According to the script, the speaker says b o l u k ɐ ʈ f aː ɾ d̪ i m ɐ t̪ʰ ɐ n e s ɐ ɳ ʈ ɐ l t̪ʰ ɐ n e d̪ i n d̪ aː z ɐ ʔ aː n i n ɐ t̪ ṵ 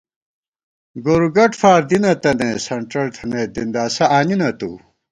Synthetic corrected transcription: ɡ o ɾ u ɡ ɐ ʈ f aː ɾ d̪ i n ɐ t̪ ɐ n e s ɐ ɳ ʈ ɐ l t̪ʰ ɐ n e d̪ i n d̪ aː s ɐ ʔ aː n i n ɐ t̪ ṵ